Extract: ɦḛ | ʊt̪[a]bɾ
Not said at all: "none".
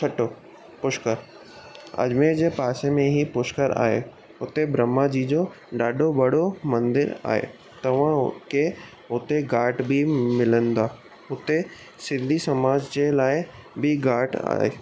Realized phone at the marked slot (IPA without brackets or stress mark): e